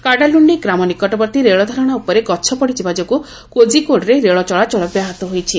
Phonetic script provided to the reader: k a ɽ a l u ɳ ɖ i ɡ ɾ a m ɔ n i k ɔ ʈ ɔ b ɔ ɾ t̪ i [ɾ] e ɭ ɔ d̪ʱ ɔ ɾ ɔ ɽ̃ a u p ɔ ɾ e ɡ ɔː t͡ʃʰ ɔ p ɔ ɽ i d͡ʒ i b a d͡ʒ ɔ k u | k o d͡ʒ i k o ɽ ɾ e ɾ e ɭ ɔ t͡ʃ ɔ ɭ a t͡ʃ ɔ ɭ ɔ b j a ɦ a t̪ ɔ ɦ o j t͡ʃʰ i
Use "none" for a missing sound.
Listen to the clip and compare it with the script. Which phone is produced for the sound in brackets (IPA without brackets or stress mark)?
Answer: ɾ